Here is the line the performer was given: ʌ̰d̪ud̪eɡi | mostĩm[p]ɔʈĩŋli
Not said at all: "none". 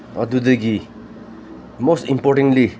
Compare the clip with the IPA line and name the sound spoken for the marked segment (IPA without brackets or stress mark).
p